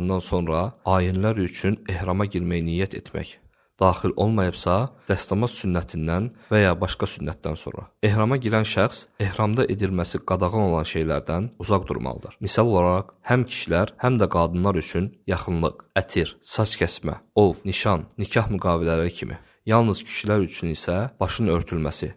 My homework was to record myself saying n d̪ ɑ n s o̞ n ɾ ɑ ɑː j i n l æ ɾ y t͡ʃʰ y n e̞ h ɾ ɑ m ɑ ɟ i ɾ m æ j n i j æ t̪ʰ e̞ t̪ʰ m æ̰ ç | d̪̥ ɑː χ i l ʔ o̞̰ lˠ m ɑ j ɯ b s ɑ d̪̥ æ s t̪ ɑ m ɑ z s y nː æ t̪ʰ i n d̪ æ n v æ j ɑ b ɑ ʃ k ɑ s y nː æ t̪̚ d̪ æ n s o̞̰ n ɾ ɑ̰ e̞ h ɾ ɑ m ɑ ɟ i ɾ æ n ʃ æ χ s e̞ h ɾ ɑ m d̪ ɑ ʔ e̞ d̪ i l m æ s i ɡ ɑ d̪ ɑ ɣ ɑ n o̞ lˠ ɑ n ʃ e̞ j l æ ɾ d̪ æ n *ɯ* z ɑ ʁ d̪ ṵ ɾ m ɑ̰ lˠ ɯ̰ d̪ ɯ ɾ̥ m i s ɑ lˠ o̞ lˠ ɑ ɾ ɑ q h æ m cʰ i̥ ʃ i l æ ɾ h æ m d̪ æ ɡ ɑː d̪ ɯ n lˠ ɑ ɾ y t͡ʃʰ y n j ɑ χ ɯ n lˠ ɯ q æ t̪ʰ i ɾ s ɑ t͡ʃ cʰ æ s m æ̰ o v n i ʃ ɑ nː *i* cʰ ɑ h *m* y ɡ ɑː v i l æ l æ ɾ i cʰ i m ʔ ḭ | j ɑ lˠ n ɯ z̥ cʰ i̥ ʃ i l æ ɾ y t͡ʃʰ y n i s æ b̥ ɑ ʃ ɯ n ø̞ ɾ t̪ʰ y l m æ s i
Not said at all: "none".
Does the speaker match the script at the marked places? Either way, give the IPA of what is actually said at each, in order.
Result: u, i, m

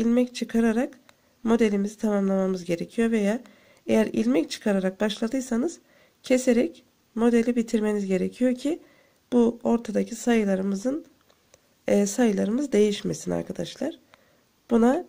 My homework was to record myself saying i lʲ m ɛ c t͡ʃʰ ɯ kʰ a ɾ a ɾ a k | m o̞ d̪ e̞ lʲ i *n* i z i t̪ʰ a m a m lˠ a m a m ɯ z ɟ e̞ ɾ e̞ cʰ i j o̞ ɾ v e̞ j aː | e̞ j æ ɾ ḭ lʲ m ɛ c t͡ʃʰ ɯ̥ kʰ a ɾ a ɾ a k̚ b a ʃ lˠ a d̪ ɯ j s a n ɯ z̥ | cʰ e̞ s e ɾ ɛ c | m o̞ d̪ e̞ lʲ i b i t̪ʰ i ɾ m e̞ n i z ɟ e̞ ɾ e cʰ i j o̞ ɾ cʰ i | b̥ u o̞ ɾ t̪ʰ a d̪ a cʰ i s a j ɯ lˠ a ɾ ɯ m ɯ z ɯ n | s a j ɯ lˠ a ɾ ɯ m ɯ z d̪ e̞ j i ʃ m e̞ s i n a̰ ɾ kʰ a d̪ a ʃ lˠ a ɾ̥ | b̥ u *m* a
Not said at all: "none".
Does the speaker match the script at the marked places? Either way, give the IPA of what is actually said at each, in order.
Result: m, n

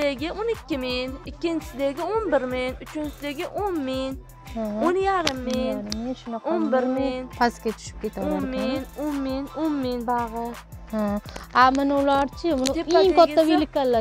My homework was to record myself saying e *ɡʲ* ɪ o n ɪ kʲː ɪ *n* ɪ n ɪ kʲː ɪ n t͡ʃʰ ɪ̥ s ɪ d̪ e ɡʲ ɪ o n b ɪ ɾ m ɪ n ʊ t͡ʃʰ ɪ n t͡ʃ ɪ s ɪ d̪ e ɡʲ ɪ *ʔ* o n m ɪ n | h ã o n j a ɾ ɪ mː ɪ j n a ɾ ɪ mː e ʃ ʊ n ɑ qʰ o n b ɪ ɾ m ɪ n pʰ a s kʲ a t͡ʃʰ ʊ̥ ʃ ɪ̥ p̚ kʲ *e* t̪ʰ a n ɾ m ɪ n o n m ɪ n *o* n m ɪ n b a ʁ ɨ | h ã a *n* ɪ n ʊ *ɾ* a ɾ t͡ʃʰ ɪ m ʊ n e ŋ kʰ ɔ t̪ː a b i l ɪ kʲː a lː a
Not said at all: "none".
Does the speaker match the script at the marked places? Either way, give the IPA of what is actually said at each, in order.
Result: ɡʲ, m, ʔ, e, o, m, l

